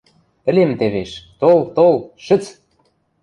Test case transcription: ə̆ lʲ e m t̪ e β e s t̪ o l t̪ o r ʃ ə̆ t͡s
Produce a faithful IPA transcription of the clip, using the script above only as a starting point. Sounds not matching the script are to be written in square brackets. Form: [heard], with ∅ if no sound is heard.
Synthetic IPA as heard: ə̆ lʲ e m t̪ e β e [ʃ] t̪ o l t̪ o [l] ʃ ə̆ t͡s